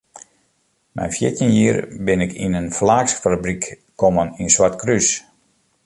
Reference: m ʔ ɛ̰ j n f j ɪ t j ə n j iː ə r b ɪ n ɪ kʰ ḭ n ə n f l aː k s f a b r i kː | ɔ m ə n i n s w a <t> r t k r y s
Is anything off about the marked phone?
yes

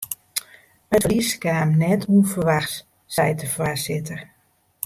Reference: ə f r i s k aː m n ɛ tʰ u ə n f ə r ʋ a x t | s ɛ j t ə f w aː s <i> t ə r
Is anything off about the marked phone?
yes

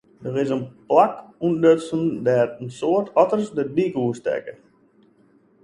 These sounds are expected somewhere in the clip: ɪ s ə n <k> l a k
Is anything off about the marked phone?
yes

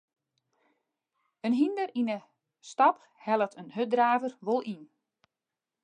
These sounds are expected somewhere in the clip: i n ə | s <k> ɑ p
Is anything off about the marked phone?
yes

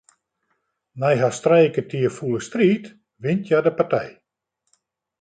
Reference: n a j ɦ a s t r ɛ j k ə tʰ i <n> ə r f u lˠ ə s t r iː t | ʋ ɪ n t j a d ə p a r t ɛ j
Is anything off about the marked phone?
yes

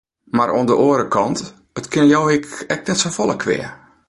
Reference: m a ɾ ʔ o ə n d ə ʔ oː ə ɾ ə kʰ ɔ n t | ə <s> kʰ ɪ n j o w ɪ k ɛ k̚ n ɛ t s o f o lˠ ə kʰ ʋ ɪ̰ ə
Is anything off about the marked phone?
yes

